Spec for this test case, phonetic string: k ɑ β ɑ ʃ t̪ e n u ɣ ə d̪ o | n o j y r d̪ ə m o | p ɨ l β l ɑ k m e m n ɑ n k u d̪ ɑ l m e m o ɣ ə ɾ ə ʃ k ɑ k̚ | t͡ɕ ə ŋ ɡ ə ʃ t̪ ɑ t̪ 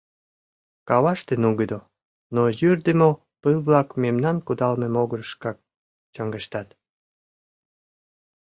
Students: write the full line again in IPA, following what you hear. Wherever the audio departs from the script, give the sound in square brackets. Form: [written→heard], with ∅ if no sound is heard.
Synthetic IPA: k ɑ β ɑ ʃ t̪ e n u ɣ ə d̪ o | n o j y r d̪ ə m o | p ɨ l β l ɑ k m e m n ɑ n k u d̪ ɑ l m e m o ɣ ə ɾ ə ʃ k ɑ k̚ | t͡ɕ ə ŋ ɡ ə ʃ t̪ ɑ t̪